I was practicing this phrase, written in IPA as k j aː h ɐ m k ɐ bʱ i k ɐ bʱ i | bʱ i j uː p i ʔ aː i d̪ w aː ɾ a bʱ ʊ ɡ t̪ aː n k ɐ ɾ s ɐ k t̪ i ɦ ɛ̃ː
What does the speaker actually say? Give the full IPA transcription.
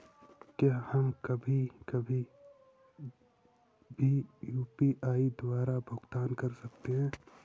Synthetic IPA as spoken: k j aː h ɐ m k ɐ bʱ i k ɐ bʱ i | bʱ i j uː p i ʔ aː i d̪ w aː ɾ a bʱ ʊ ɡ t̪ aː n k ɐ ɾ s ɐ k t̪ e ɦ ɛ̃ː